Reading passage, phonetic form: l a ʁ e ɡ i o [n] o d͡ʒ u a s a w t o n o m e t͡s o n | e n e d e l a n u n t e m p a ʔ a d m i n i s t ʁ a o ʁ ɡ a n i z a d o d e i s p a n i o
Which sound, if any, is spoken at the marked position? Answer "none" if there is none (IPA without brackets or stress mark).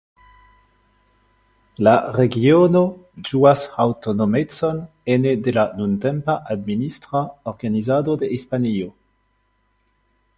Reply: n